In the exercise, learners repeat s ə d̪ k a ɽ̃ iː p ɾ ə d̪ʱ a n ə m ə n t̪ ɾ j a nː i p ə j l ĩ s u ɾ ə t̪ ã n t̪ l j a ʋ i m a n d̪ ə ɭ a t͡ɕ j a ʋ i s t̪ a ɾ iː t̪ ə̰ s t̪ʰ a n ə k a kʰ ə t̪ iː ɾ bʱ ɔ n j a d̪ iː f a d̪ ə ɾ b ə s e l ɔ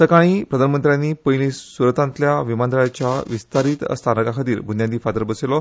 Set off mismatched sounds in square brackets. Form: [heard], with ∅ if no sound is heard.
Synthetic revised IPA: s ə [∅] k a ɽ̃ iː p ɾ ə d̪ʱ a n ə m ə n t̪ ɾ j a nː i p ə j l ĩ s u ɾ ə t̪ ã n t̪ l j a ʋ i m a n d̪ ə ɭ a t͡ɕ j a ʋ i s t̪ a ɾ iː t̪ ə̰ s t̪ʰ a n ə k a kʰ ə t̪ iː ɾ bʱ [u] n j a d̪ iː f a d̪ ə ɾ b ə s e l ɔ